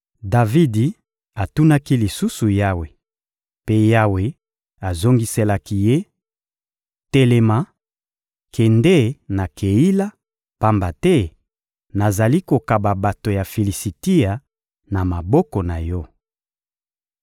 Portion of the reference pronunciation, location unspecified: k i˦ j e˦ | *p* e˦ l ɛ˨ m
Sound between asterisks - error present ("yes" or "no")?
yes